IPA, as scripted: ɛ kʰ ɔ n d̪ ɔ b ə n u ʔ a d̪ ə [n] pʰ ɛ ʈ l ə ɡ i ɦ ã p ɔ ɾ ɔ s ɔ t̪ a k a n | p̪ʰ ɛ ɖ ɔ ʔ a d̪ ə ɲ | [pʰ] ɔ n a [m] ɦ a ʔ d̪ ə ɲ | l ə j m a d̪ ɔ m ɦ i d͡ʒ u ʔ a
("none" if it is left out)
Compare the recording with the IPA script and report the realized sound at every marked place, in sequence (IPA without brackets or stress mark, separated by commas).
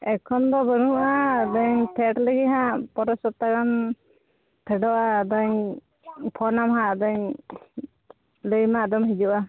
ɲ, pʰ, m